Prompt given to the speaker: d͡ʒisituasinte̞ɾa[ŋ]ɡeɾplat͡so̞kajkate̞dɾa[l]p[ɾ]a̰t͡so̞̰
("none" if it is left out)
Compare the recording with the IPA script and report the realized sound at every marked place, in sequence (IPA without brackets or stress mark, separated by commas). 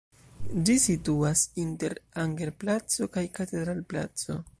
ŋ, l, l